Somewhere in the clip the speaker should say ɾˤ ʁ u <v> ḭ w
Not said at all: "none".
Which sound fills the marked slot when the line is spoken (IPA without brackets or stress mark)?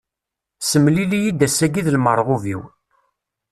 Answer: v